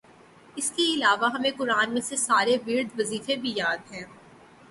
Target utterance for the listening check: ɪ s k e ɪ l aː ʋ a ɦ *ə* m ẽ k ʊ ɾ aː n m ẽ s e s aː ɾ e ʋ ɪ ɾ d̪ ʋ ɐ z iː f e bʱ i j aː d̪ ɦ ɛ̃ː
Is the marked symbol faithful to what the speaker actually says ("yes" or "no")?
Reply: no